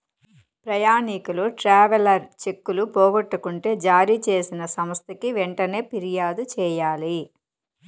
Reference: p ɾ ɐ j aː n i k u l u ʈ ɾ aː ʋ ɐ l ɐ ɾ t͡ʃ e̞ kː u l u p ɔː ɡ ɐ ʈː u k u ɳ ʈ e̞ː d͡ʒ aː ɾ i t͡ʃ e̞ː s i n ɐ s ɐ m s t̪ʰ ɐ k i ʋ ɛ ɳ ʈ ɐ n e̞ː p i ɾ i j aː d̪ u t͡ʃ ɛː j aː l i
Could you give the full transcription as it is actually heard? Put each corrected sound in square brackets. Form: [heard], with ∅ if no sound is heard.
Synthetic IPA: p ɾ ɐ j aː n i k u l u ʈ ɾ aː ʋ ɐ l ɐ ɾ t͡ʃ e̞ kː u l u p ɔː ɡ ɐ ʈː u k u ɳ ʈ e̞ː d͡ʒ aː ɾ i t͡ʃ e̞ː s i n ɐ s ɐ m s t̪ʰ ɐ k i ʋ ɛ ɳ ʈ ɐ n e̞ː p i ɾ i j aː d̪ u t͡ʃ ɛː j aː l i